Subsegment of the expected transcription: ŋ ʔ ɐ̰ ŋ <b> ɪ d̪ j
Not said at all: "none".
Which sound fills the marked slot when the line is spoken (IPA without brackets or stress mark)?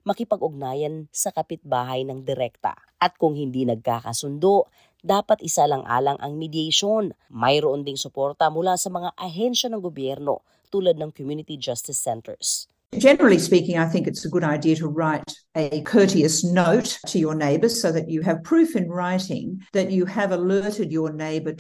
m